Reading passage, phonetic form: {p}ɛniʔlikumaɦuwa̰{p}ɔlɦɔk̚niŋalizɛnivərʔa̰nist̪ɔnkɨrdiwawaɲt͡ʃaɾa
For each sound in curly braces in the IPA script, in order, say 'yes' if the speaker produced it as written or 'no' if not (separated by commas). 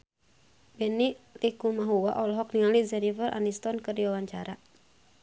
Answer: no, no